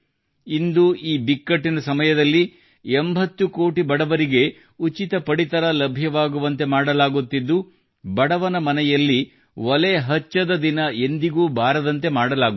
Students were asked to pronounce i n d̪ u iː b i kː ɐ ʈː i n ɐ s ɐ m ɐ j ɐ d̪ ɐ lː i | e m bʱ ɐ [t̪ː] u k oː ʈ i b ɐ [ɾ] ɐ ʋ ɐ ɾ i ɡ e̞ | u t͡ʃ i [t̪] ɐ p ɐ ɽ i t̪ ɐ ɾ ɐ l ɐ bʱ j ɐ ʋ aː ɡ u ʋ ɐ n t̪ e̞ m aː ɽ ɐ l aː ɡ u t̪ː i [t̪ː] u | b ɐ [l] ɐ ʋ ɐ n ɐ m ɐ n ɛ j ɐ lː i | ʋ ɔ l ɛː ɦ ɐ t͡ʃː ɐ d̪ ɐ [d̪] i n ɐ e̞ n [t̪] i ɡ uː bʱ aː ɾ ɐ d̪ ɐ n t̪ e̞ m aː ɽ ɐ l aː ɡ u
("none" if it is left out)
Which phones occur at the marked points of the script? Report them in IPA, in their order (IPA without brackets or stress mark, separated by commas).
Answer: t̪ː, ɽ, t̪, d̪ː, ɽ, d̪, d̪